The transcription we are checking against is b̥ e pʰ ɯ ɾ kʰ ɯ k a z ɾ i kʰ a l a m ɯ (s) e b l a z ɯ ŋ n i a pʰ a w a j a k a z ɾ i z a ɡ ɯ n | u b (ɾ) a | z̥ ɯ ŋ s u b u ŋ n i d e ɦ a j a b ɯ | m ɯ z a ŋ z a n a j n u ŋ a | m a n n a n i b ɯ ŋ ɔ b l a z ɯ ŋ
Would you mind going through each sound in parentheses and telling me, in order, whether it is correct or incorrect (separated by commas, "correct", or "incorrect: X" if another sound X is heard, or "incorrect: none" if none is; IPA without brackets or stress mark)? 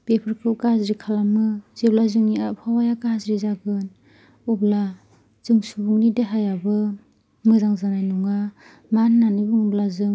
incorrect: z, incorrect: l